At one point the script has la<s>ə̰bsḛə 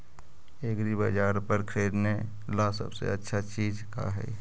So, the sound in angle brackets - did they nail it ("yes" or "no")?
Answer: yes